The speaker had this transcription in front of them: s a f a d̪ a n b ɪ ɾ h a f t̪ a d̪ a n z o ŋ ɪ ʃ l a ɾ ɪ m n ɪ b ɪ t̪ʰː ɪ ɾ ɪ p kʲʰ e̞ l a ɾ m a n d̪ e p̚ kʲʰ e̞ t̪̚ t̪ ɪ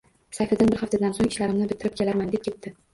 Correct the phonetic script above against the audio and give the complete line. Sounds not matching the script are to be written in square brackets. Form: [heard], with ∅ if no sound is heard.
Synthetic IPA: s a f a d̪ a n b ɪ ɾ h a f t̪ a d̪ a n [s] o ŋ ɪ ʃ l a ɾ ɪ m n ɪ b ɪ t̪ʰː ɪ ɾ ɪ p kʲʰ e̞ l a ɾ m a n d̪ e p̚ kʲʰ e̞ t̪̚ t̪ ɪ